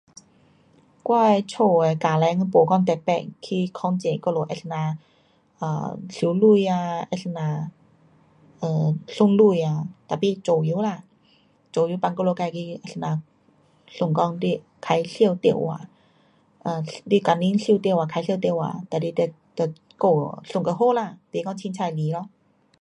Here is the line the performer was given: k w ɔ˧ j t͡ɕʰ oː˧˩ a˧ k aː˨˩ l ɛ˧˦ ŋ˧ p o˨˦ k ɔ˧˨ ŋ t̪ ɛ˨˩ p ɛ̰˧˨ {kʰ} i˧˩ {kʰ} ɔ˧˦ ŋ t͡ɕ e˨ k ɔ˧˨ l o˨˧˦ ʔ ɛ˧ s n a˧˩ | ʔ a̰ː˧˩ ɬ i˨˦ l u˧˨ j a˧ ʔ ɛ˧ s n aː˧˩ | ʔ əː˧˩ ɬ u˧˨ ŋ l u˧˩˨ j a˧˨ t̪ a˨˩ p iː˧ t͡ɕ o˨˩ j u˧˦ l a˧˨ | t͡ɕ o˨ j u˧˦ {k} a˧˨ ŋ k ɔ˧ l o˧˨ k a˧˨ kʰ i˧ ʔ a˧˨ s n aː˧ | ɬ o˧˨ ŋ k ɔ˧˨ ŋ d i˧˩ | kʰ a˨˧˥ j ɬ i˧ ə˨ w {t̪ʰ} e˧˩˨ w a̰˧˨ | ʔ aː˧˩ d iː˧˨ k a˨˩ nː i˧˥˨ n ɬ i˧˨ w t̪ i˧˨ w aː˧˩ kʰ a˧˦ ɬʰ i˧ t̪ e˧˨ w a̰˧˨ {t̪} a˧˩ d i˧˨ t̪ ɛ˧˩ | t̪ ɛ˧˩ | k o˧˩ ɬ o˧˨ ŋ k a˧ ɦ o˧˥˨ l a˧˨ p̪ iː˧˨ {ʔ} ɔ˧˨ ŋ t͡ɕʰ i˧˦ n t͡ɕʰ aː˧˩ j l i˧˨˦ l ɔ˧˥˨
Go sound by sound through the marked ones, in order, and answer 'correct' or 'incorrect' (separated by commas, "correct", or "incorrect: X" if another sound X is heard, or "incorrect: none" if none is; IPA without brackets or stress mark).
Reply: correct, correct, incorrect: p, incorrect: t̪, correct, incorrect: k